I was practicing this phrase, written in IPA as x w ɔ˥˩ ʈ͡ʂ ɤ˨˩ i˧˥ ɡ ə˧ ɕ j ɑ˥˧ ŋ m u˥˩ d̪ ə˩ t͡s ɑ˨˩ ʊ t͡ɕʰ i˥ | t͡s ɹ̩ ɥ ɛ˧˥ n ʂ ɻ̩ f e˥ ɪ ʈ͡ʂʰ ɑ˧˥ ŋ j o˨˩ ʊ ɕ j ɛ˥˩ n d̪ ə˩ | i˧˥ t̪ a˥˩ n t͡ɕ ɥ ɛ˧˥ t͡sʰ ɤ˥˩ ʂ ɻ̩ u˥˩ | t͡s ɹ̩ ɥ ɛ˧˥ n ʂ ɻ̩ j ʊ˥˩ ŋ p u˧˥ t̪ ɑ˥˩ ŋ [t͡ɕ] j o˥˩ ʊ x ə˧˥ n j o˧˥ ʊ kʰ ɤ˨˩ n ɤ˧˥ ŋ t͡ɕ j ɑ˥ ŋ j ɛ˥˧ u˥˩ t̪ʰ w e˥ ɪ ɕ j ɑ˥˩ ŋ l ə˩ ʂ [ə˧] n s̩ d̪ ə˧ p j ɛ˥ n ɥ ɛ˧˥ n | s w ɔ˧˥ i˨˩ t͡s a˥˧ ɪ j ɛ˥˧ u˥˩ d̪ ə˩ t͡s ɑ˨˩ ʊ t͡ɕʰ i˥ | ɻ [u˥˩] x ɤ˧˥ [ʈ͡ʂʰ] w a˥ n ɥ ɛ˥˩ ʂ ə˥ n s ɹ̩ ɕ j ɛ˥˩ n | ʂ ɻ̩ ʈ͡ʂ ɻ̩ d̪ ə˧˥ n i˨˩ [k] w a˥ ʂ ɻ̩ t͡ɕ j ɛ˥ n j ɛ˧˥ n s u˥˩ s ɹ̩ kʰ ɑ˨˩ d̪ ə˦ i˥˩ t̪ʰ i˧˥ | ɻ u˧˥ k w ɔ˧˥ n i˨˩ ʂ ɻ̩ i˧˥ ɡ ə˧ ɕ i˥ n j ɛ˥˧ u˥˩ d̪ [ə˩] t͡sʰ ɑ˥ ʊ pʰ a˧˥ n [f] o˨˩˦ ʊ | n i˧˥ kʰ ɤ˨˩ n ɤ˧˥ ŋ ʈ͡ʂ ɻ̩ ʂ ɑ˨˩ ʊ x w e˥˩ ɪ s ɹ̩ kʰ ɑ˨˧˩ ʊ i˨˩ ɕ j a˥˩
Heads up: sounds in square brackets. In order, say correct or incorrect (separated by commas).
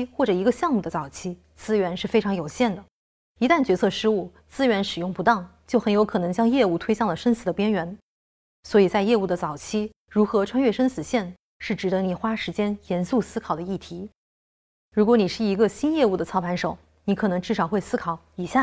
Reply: correct, incorrect, incorrect, correct, incorrect, correct, incorrect